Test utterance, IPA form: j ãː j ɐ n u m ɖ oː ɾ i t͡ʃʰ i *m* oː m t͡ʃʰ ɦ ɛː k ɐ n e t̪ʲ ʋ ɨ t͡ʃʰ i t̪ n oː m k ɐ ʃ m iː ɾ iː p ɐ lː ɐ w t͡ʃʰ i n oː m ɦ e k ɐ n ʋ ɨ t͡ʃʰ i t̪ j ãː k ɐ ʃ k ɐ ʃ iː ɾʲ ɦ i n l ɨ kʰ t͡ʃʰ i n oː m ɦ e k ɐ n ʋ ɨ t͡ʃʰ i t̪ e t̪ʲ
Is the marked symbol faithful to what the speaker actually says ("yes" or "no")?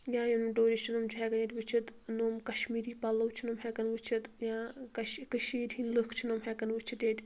no